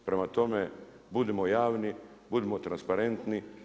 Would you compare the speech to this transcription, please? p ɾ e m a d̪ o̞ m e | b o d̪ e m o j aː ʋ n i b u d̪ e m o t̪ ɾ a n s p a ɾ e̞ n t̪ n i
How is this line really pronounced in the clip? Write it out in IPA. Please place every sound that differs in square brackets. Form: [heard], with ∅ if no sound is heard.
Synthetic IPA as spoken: p ɾ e m a [t̪] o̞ m e | b [u] d̪ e m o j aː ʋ n i b u d̪ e m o t̪ ɾ a n s p a ɾ e̞ n t̪ n i